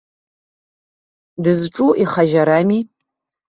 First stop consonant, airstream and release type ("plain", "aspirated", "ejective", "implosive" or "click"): plain